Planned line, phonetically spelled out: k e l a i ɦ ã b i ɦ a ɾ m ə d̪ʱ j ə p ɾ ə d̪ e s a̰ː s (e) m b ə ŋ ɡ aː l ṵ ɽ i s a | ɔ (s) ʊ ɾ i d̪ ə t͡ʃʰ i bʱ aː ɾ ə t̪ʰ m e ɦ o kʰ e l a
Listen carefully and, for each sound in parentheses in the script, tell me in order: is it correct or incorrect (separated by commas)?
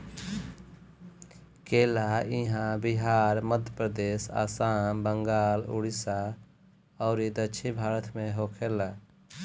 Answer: incorrect, incorrect